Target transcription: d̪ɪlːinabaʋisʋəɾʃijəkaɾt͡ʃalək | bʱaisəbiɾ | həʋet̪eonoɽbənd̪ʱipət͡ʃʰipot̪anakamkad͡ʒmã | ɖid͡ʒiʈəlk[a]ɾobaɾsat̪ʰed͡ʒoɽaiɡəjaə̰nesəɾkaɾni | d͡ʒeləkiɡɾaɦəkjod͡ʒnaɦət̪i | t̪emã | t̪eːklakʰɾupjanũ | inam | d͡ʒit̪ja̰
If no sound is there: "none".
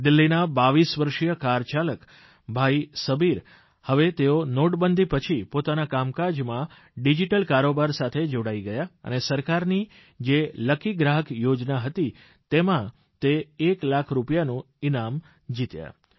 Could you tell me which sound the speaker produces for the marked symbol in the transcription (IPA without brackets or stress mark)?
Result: a